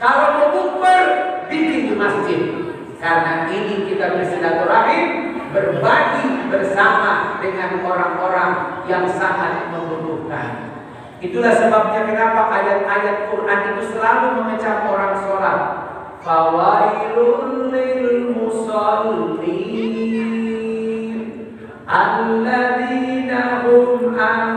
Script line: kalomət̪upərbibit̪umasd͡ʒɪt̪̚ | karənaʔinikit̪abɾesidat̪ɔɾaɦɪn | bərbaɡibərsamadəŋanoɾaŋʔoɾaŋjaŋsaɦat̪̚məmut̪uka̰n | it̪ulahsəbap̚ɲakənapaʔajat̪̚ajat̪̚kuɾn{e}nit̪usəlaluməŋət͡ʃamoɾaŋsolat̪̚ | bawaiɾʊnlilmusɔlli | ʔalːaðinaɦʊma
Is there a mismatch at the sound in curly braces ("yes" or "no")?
yes